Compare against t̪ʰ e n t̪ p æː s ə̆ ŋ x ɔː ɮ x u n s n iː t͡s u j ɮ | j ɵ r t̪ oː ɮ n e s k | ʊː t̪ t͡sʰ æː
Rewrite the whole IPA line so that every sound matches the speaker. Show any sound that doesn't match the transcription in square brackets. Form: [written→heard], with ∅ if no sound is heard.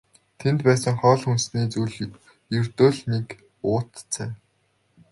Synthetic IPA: t̪ʰ e n t̪ p æː s ə̆ ŋ [x→χ] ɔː ɮ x u n s n iː t͡s u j ɮ | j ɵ r t̪ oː ɮ n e [s→∅] k | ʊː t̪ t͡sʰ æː

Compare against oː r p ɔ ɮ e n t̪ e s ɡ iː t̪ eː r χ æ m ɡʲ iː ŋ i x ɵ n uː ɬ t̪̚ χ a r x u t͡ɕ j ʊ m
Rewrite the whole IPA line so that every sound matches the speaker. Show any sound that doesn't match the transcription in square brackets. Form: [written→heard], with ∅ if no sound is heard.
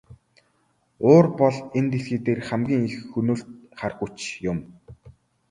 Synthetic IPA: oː r p ɔ ɮ e n t̪ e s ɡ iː t̪ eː r χ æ m ɡʲ iː ŋ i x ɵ n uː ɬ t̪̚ χ a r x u t͡ɕ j ʊ m

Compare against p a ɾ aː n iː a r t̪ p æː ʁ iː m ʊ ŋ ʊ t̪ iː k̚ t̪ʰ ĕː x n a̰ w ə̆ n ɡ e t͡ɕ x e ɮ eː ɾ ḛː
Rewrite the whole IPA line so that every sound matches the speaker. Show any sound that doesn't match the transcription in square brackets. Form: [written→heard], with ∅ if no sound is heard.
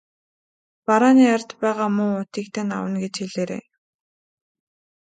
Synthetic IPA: p a ɾ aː n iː a r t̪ p æː ʁ [iː→aː] m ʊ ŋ ʊ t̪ iː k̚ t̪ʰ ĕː [x→∅] n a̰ w ə̆ n ɡ e t͡ɕ x e ɮ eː ɾ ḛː

